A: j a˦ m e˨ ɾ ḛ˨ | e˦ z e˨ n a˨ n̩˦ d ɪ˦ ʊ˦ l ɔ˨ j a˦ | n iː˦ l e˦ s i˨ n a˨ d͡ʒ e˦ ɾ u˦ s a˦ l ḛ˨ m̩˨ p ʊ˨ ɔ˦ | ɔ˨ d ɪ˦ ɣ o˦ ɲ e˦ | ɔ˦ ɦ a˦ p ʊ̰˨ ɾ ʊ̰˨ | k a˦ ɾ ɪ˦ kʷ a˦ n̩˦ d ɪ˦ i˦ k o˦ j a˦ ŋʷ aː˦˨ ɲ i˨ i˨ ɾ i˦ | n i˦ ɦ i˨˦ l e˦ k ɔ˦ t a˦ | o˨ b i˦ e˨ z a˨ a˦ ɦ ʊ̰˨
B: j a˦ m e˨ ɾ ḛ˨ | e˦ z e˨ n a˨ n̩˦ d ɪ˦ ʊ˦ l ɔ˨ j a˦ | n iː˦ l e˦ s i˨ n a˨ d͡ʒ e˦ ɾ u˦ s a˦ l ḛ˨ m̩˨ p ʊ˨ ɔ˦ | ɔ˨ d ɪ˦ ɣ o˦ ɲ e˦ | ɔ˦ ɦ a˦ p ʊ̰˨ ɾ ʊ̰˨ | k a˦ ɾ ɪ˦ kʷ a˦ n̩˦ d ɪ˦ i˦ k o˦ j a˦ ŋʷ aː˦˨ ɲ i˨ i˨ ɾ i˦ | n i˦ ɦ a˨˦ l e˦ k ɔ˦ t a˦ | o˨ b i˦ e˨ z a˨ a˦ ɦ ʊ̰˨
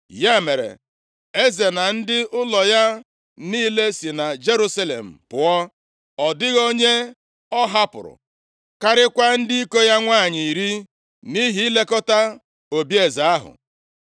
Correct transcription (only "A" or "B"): A